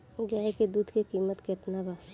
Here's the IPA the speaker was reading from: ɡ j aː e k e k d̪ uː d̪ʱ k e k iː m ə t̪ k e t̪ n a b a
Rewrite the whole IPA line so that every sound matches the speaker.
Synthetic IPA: ɡ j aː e k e d̪ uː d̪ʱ k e k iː m ə t̪ k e t̪ n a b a